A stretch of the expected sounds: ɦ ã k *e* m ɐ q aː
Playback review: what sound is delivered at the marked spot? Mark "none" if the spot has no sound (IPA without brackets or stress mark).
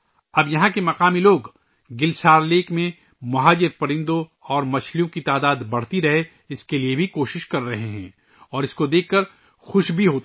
e